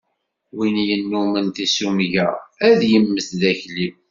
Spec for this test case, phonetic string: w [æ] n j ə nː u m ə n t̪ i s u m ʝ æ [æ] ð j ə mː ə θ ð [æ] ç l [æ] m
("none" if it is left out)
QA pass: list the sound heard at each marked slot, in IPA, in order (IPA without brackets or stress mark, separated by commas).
i, æ, æ, i